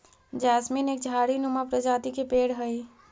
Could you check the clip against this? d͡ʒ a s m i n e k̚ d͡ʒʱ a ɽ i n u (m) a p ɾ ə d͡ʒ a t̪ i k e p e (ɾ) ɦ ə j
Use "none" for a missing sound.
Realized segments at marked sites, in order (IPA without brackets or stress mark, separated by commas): m, ɽ